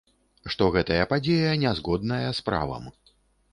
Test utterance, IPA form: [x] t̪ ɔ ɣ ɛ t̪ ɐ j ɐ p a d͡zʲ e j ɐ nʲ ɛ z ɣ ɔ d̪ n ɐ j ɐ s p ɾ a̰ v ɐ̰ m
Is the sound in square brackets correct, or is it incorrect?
incorrect